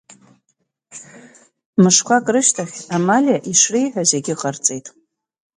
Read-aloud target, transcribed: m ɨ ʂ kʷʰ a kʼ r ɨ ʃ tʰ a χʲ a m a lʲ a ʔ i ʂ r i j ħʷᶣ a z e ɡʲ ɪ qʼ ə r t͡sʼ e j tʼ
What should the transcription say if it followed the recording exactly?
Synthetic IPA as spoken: m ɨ ʂ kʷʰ a kʼ r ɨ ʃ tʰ a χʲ a m a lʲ a ʔ i ʂ r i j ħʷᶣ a z e ɡʲ ɪ qʼ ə r t͡sʼ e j tʼ